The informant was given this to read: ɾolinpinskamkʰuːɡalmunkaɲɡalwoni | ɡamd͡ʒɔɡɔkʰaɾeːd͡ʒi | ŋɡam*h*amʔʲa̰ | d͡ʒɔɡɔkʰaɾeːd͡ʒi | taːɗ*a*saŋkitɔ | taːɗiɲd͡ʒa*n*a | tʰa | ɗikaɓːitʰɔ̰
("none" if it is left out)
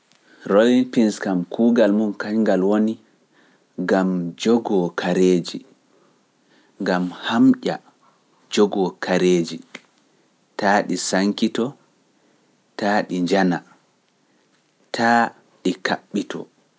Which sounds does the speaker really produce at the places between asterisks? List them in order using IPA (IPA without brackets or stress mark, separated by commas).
h, i, n